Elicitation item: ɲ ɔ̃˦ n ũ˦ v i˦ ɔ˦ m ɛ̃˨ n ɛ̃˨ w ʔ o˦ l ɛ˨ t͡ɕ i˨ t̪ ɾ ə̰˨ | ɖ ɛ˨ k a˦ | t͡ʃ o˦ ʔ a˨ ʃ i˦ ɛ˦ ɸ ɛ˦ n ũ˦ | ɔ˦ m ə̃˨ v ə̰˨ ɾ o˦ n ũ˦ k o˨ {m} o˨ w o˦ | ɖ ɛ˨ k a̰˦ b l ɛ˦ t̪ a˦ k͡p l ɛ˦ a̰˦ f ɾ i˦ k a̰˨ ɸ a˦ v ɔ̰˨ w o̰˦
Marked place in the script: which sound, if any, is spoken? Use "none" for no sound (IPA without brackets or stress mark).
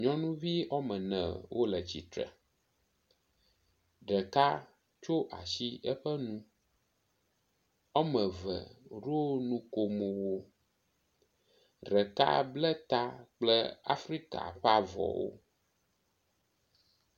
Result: m